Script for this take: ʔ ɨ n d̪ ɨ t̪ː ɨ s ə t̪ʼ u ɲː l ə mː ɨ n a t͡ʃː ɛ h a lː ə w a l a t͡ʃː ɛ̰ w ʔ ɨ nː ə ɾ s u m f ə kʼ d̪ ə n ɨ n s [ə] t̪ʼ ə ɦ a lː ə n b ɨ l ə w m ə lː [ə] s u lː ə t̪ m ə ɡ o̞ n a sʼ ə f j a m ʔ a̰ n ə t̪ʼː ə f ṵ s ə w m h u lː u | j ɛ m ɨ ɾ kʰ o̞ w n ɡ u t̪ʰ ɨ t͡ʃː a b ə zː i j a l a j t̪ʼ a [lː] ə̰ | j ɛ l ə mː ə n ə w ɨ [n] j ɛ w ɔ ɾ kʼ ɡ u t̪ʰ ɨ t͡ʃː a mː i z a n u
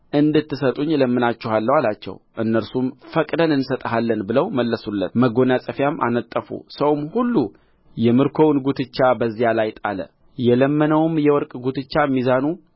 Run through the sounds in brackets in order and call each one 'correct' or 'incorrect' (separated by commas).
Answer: correct, correct, incorrect, incorrect